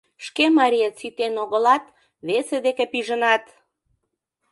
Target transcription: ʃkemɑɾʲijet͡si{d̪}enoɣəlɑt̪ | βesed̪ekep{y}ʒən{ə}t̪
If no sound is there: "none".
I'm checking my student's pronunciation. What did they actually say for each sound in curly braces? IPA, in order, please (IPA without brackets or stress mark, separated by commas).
t̪, i, ɑ